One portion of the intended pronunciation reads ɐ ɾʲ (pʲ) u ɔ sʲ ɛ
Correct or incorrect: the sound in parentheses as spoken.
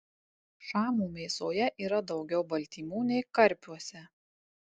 correct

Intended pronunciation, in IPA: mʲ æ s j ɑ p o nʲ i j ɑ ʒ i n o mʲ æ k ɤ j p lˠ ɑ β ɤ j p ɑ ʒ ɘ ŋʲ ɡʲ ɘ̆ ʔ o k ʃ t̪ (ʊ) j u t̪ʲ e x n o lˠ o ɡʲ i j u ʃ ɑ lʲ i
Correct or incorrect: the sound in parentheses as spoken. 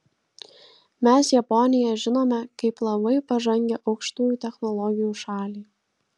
incorrect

